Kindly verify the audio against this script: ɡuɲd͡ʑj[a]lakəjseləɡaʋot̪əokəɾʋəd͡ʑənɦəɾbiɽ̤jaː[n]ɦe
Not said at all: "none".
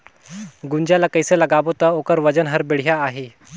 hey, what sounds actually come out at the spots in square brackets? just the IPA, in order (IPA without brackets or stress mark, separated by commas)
a, none